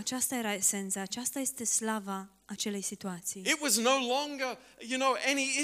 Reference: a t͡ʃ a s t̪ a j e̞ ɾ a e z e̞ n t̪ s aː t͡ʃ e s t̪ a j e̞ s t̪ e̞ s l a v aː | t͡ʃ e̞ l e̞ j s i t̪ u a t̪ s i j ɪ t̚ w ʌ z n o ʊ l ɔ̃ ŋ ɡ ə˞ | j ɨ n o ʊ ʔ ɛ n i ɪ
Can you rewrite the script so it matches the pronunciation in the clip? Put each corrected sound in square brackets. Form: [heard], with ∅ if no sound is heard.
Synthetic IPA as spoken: a t͡ʃ a s t̪ a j e̞ ɾ a e [s] e̞ n t̪ s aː t͡ʃ [a] s t̪ a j e̞ s t̪ e̞ s l a v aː | t͡ʃ e̞ l e̞ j s i t̪ u a t̪ s i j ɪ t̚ w ʌ z n o ʊ l ɔ̃ ŋ ɡ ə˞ | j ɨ n o ʊ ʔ ɛ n i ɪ